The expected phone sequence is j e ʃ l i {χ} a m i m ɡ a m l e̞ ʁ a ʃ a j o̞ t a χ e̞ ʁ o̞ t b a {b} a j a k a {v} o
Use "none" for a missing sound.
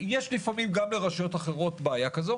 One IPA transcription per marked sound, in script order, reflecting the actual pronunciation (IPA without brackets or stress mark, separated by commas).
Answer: f, none, z